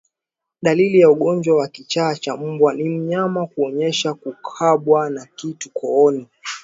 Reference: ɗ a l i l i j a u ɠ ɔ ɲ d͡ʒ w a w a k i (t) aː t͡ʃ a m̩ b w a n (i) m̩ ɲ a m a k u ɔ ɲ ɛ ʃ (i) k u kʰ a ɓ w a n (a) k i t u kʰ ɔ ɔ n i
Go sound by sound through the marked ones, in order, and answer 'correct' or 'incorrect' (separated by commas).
incorrect, correct, incorrect, correct